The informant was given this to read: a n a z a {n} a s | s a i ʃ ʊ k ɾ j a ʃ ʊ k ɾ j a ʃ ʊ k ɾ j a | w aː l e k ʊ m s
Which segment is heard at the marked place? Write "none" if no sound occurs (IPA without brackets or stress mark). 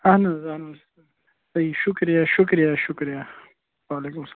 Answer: n